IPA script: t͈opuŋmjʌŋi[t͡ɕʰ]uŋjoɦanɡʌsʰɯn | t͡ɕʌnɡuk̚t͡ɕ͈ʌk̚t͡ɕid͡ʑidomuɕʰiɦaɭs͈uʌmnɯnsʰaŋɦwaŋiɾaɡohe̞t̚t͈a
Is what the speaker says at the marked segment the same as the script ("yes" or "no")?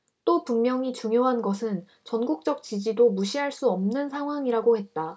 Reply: no